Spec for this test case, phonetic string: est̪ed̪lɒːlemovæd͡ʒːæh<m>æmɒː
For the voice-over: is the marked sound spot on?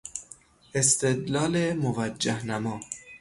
no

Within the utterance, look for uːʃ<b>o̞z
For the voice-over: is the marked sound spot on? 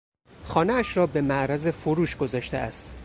no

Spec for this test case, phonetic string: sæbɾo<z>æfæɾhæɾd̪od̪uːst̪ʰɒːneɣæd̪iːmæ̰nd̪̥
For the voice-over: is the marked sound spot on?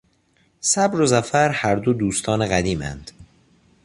yes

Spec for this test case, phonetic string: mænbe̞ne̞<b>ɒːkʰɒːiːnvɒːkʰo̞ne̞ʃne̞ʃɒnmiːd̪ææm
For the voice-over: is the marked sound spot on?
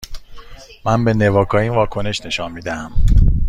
no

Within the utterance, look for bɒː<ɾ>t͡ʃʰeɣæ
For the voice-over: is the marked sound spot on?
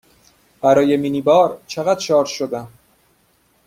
yes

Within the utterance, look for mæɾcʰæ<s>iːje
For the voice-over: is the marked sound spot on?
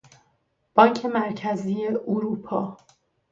no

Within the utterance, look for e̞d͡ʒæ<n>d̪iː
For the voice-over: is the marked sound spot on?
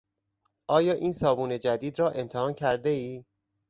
no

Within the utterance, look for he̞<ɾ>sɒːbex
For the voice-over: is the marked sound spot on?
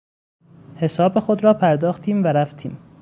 no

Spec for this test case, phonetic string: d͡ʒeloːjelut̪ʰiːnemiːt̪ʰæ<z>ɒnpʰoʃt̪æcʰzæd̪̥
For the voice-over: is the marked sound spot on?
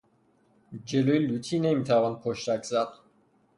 no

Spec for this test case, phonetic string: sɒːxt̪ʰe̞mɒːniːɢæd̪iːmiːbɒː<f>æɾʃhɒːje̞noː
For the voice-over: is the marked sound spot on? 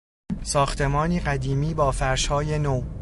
yes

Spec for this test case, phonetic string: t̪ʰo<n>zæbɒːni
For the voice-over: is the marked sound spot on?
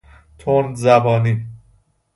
yes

